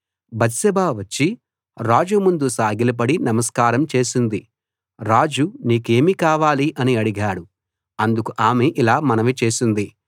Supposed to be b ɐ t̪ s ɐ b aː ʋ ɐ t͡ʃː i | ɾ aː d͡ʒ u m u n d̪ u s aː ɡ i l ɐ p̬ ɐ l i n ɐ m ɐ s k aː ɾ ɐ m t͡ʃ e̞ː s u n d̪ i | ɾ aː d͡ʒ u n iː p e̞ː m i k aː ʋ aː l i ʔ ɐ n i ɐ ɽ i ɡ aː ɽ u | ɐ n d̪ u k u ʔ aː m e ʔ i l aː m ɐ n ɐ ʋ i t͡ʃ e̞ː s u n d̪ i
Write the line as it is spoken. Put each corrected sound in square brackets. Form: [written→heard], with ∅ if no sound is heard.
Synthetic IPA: b ɐ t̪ s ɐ b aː ʋ ɐ t͡ʃː i | ɾ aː d͡ʒ u m u n d̪ u s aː ɡ i l ɐ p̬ ɐ [l→ɽ] i n ɐ m ɐ s k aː ɾ ɐ m t͡ʃ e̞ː s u n d̪ i | ɾ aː d͡ʒ u n iː [p→k] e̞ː m i k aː ʋ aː l i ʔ ɐ n i ɐ ɽ i ɡ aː ɽ u | ɐ n d̪ u k u ʔ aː m e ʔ i l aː m ɐ n ɐ ʋ i t͡ʃ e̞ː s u n d̪ i